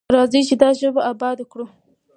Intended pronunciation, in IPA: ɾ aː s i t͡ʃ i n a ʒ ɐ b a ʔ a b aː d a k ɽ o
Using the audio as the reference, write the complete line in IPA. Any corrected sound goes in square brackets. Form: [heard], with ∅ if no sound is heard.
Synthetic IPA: ɾ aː [z] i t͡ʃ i [d] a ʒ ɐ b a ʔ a b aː d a k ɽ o